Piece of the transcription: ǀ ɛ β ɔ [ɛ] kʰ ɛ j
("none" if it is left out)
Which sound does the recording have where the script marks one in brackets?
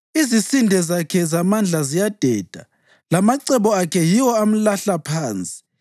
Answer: a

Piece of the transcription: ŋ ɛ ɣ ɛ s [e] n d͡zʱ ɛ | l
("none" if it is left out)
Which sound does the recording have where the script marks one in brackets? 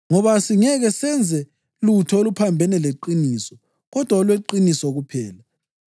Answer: ɛ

